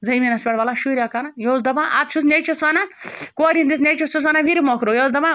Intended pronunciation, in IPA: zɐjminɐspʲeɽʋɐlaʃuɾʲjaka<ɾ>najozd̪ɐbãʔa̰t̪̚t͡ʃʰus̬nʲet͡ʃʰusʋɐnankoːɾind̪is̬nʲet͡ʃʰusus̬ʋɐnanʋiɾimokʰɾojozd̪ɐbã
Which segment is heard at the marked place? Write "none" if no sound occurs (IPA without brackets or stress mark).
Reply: none